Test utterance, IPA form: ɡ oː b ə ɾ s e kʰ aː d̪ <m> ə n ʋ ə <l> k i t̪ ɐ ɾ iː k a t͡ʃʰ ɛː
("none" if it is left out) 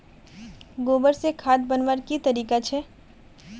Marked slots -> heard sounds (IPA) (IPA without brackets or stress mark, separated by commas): b, ɾ